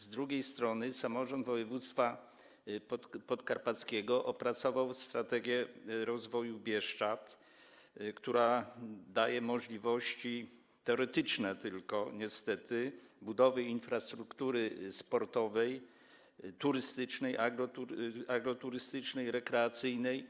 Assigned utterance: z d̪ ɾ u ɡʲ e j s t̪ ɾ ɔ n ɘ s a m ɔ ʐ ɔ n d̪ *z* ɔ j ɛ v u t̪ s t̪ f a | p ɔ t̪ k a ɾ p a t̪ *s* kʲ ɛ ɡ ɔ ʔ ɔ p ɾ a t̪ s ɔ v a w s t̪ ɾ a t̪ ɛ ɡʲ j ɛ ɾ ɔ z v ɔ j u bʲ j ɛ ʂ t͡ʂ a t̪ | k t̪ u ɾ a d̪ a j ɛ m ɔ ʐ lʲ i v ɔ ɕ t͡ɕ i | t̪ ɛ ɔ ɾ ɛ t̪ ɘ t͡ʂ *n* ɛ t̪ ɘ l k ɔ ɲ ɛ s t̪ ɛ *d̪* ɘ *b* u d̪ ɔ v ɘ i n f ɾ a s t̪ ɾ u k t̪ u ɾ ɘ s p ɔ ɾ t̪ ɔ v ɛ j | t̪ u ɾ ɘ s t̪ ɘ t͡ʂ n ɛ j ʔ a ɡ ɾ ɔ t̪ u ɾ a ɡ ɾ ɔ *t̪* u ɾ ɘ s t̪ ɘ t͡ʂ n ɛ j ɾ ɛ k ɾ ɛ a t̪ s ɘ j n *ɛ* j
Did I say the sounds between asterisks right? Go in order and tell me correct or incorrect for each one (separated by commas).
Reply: incorrect, correct, correct, incorrect, correct, correct, correct